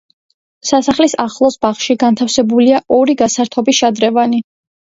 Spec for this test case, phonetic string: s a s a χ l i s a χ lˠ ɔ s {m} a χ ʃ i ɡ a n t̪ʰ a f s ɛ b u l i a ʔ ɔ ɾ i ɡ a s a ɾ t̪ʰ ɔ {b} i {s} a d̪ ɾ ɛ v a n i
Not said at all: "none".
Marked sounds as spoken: b, b, ʃ

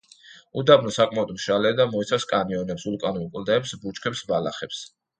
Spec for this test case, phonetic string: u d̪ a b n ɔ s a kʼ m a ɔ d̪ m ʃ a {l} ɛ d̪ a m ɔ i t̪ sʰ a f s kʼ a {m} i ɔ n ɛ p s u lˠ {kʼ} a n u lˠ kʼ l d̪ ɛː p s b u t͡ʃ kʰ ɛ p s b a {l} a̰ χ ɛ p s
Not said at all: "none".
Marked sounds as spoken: l, n, kʼ, l

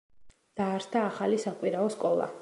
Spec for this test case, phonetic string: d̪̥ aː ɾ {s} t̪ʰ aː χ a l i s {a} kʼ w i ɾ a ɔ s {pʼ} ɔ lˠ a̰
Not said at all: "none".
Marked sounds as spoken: s, a, kʼ

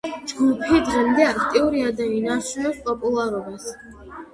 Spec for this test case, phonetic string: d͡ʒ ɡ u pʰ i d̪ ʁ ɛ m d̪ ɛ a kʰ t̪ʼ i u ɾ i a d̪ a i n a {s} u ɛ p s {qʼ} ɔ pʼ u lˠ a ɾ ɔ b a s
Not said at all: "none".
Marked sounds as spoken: ʃ, pʼ

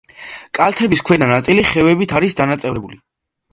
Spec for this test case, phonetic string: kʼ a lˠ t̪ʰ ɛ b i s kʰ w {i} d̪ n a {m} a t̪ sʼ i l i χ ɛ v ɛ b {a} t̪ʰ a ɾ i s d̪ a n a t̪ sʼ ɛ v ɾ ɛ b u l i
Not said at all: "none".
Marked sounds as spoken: ɛ, n, i

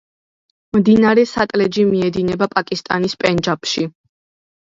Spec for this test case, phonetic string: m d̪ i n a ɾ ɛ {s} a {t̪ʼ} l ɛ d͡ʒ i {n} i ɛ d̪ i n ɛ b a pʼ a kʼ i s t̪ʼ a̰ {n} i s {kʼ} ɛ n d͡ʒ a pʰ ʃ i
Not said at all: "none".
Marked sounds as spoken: s, t̪ʼ, m, n, pʼ

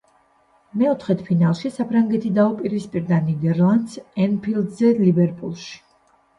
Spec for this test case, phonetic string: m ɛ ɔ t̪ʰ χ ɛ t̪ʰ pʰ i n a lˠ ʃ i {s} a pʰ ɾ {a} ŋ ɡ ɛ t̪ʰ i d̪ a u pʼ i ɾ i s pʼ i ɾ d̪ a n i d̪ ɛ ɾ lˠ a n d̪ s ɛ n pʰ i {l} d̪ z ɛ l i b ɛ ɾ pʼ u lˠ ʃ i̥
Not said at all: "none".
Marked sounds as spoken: s, a, l

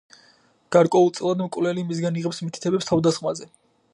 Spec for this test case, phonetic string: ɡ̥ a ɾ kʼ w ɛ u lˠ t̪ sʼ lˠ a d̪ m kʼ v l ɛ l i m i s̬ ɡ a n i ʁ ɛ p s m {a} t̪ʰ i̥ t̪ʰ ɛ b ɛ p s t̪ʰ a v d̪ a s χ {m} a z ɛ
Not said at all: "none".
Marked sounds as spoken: i, m

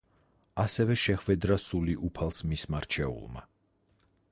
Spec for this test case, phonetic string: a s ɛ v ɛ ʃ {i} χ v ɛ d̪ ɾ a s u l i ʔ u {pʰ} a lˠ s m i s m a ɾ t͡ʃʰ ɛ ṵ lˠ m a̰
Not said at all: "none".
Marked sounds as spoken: ɛ, pʰ

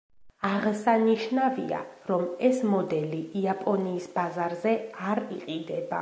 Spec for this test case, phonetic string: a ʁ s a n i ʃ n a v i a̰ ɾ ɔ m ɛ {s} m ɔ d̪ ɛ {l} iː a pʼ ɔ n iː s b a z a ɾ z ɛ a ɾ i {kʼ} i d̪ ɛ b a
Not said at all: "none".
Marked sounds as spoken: s, l, qʼ

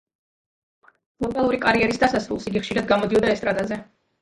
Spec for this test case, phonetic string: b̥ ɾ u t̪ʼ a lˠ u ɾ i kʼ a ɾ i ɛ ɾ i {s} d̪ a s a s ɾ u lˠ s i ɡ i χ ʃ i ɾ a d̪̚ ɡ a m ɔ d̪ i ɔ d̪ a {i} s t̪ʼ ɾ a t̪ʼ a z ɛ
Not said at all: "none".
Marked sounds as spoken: s, ɛ

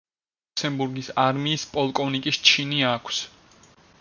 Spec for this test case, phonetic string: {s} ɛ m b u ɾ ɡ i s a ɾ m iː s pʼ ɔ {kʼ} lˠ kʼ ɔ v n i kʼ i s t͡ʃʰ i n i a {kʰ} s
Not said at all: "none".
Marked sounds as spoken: s, none, kʰ

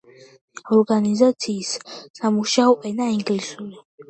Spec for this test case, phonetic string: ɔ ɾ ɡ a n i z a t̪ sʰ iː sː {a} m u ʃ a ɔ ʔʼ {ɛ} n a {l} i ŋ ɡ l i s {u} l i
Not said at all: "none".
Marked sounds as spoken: a, ɛ, none, u

